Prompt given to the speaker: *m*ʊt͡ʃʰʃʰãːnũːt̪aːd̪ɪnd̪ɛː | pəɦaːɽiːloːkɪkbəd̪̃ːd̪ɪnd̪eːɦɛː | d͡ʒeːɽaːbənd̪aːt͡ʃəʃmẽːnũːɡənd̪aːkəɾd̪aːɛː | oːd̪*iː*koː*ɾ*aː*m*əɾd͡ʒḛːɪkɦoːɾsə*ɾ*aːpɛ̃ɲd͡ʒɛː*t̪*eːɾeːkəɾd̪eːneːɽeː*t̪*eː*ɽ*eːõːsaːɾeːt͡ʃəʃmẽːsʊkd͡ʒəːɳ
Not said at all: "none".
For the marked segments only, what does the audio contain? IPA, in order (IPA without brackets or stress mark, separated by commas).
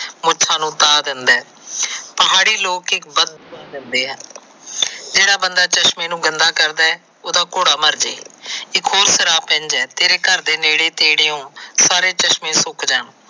m, aː, ɽ, m, ɾ, t̪, t̪, ɽ